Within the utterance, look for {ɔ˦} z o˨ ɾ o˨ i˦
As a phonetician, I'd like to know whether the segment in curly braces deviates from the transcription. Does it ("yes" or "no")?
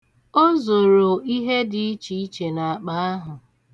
yes